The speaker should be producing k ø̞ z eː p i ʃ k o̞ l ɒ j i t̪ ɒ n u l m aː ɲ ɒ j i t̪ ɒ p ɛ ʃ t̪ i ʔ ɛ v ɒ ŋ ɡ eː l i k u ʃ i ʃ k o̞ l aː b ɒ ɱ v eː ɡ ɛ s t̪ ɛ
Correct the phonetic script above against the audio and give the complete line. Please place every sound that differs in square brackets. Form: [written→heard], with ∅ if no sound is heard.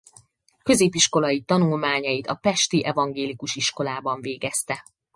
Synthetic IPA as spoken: k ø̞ z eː p i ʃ k o̞ l ɒ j i t̪ ɒ n u l m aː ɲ ɒ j i t̪ ɒ p ɛ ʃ t̪ i ʔ ɛ v ɒ ŋ ɡ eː l i k u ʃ i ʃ k o̞ l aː b ɒ ɱ v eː ɡ ɛ s t̪ ɛ